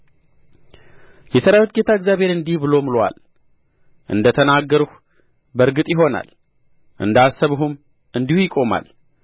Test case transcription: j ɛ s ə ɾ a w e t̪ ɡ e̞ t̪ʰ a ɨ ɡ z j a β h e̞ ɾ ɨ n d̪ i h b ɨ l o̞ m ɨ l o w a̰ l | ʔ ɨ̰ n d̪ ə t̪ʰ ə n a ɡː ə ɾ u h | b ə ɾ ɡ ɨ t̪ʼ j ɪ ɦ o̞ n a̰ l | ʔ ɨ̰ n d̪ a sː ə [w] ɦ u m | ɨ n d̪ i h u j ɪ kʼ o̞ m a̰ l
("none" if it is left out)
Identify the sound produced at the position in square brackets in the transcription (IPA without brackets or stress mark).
β